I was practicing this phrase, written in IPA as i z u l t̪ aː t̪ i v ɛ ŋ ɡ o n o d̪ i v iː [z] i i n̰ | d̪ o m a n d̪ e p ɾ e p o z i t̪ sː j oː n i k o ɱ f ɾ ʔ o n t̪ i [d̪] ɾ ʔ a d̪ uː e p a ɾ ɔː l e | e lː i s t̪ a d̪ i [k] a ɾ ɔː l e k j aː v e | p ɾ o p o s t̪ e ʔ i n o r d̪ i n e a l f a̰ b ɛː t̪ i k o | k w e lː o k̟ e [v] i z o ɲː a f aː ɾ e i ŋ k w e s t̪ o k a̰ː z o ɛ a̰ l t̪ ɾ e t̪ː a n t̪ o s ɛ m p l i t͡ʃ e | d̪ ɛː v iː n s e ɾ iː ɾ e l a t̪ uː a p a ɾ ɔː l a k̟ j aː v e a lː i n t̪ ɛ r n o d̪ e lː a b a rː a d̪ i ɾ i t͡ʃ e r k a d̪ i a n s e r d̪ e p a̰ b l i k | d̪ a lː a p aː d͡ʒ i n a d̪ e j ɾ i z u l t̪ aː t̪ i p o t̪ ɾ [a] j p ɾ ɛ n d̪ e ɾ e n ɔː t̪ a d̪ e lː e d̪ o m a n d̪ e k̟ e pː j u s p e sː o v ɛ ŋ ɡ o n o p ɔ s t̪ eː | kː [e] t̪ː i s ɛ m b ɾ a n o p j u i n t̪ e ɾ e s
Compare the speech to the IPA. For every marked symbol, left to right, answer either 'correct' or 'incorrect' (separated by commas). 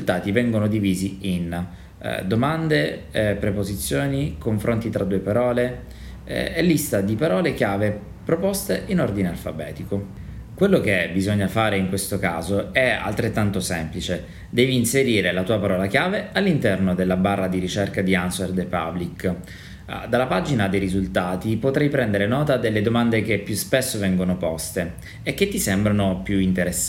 correct, incorrect, incorrect, incorrect, incorrect, correct